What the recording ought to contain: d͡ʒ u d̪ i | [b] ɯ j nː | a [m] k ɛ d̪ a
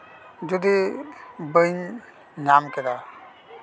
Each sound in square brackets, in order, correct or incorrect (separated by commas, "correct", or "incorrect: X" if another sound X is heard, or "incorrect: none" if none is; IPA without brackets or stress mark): correct, correct